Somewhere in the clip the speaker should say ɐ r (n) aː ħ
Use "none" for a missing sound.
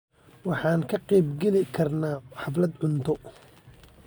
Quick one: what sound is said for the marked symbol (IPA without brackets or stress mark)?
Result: n